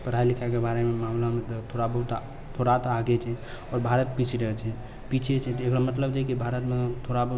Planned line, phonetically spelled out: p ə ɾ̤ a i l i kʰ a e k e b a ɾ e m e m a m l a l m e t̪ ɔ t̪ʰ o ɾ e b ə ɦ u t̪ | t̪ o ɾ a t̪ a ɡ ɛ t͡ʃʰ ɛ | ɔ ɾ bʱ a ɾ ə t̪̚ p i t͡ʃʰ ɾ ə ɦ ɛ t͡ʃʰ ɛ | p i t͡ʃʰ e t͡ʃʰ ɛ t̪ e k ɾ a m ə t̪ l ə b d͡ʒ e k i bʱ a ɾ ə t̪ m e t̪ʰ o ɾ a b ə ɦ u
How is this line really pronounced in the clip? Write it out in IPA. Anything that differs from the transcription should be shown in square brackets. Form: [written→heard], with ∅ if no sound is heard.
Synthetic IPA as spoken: p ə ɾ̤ a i l i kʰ a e k e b a ɾ e m e m a m l a [l→∅] m e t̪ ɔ t̪ʰ o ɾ [e→a] b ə ɦ u t̪ | [t̪→t̪ʰ] o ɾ a t̪ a ɡ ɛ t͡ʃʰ ɛ | ɔ ɾ bʱ a ɾ ə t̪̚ p i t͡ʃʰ ɾ ə ɦ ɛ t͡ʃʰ ɛ | p i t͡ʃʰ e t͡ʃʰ ɛ t̪ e k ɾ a m ə t̪ l ə b d͡ʒ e k i bʱ a ɾ ə t̪ m e t̪ʰ o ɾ a b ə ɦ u